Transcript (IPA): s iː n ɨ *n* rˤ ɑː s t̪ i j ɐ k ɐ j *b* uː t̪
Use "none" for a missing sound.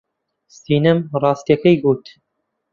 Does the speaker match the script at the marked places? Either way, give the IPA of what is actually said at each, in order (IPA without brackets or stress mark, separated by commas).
m, ɡ